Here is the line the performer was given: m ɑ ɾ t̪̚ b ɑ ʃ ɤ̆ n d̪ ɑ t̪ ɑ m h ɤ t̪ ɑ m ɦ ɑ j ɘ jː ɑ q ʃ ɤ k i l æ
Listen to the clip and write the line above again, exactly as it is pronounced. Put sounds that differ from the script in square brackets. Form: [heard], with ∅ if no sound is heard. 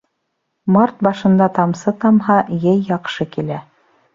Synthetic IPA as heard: m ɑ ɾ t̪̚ b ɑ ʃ ɤ̆ n d̪ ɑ t̪ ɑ m [s] ɤ t̪ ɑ m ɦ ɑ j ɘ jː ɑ q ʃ ɤ k i l æ